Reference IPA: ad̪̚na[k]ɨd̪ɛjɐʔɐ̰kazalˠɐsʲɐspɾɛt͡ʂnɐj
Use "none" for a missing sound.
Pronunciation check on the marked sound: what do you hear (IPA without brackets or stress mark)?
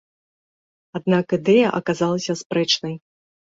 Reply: k